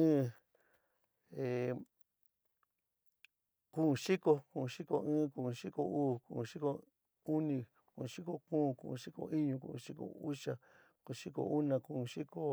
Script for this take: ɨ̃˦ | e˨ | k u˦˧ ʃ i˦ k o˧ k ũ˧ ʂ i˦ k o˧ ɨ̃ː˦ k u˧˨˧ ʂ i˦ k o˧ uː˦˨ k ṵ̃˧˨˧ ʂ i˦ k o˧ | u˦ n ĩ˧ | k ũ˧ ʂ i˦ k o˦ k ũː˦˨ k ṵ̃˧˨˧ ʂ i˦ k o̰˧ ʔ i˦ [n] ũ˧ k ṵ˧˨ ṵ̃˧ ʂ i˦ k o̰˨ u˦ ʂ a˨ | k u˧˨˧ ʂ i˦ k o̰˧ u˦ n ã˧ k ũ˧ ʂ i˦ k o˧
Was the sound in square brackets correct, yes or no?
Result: no